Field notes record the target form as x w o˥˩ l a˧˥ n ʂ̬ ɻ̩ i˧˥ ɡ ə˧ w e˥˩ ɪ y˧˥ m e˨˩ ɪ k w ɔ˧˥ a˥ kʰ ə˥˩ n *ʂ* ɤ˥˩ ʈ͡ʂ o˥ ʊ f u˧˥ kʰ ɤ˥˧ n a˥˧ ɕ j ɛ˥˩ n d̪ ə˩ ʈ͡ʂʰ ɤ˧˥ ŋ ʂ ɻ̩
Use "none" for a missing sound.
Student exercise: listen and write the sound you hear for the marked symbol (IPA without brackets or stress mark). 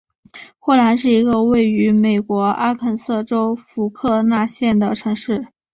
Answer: s